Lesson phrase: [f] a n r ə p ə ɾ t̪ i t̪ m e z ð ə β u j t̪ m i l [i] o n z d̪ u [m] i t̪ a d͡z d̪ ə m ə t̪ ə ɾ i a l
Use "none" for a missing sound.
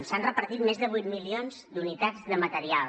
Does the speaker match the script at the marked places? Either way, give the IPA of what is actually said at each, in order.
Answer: s, i, n

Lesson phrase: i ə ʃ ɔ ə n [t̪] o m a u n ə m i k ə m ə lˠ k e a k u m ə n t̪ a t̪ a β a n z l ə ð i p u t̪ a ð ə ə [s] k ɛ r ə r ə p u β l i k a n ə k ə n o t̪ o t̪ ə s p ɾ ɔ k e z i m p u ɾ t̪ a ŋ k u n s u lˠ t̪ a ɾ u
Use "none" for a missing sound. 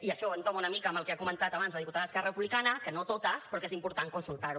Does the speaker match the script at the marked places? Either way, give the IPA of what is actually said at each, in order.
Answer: t̪, s

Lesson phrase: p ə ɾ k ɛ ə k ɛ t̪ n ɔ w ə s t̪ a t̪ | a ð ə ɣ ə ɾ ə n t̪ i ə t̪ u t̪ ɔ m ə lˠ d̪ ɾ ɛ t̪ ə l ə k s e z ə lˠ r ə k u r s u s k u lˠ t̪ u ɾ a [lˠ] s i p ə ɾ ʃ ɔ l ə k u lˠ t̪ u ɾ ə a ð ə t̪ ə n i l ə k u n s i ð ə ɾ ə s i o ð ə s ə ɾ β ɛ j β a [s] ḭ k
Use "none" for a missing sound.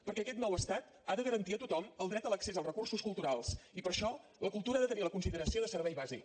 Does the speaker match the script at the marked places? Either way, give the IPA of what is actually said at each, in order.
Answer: lˠ, z

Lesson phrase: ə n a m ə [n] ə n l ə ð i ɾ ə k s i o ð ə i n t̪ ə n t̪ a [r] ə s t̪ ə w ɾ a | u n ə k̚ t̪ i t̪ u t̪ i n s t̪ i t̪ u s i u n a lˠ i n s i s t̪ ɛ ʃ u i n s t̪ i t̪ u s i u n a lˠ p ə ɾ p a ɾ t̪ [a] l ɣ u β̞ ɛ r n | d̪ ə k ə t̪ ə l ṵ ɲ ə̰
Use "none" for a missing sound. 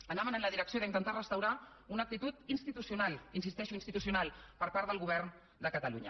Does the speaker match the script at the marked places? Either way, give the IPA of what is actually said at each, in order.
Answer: n, r, ə

